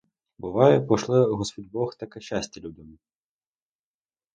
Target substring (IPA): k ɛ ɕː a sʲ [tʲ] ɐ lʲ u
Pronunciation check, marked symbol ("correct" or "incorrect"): correct